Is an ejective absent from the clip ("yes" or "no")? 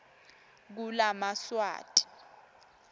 no